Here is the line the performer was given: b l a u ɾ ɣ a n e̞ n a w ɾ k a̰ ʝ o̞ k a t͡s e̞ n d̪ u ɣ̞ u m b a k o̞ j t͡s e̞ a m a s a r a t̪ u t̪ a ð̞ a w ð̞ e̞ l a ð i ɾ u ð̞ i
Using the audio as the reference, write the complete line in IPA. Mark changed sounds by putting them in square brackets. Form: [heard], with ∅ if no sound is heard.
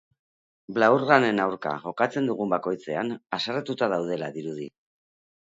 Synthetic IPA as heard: b l a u ɾ ɣ a n e̞ n a w ɾ k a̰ ʝ o̞ k a t͡s e̞ n d̪ u ɣ̞ u m b a k o̞ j t͡s e̞ a [n] a s a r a t̪ u t̪ a ð̞ a w ð̞ e̞ l a ð i ɾ u ð̞ i